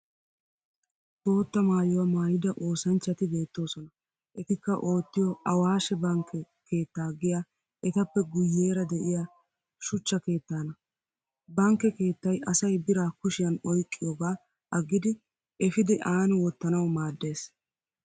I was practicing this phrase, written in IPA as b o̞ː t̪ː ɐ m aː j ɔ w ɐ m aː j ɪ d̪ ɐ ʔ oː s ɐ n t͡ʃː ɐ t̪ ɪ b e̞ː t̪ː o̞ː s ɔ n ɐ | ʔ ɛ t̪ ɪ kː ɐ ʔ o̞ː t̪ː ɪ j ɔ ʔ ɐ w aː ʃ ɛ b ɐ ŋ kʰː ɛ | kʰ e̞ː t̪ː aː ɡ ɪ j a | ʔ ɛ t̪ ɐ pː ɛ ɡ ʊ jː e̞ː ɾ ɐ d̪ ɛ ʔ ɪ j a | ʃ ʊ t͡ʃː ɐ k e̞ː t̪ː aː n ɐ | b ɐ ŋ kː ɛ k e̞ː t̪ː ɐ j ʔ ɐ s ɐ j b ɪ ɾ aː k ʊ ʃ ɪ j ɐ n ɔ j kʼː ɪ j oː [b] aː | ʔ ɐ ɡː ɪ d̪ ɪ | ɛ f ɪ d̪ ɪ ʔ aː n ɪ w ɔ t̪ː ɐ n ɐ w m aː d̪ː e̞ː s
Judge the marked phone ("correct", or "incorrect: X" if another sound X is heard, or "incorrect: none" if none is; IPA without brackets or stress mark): incorrect: ɡ